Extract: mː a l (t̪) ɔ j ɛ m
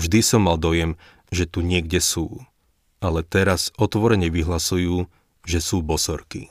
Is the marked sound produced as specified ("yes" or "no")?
no